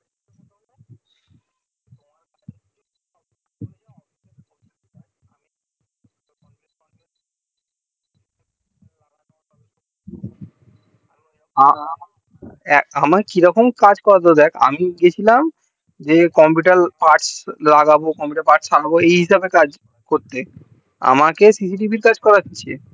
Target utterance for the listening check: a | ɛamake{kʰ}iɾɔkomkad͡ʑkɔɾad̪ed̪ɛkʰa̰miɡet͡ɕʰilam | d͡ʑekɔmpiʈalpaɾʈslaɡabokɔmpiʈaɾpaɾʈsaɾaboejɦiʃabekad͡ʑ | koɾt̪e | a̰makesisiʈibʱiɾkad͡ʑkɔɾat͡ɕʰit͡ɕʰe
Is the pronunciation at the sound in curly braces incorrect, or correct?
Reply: incorrect